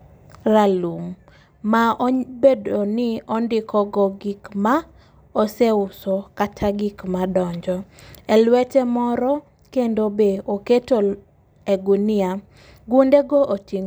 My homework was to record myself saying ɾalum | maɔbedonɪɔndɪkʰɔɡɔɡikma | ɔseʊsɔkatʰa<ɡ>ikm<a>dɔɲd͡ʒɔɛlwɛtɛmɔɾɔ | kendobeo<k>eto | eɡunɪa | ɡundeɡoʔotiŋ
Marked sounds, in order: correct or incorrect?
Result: correct, correct, correct

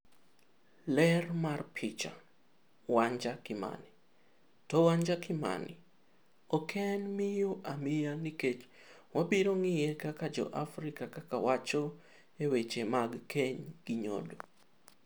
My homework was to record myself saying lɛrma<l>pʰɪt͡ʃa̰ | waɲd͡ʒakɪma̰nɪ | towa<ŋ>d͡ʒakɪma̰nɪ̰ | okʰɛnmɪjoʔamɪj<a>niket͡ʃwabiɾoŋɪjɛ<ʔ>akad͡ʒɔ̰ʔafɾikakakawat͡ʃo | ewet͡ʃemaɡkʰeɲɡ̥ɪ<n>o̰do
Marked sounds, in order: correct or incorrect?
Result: incorrect: r, incorrect: ɲ, correct, incorrect: k, incorrect: ɲ

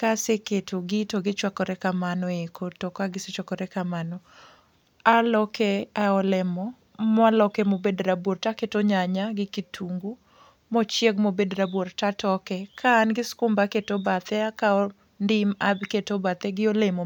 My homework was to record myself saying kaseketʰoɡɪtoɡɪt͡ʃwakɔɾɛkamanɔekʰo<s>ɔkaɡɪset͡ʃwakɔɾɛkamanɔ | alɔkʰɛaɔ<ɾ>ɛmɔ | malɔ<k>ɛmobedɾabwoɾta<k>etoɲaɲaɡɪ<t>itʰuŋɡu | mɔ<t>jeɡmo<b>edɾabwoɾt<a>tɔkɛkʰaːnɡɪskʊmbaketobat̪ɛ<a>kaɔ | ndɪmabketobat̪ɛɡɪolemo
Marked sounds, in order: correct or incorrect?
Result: incorrect: t, incorrect: l, correct, correct, incorrect: k, incorrect: t͡ʃ, correct, correct, correct

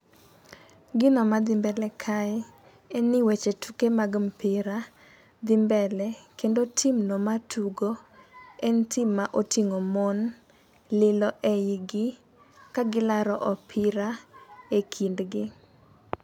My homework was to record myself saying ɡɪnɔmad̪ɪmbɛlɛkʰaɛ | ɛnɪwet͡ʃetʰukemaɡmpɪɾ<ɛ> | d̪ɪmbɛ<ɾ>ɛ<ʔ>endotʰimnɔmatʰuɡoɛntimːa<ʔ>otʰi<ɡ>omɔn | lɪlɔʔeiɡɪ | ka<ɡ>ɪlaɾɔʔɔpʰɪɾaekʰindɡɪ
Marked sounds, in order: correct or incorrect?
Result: incorrect: a, incorrect: l, incorrect: k, correct, incorrect: ŋ, correct

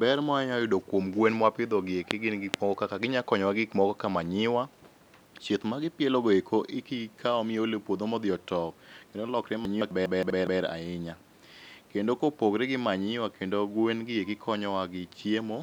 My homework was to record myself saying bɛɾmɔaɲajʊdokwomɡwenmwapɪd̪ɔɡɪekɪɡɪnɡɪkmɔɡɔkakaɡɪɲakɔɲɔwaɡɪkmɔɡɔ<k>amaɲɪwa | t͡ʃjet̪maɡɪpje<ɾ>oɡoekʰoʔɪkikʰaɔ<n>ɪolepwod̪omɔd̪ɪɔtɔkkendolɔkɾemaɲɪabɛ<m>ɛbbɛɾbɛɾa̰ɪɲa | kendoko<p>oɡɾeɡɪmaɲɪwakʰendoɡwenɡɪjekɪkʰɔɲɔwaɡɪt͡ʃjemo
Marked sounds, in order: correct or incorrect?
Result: correct, incorrect: l, incorrect: m, incorrect: b, correct

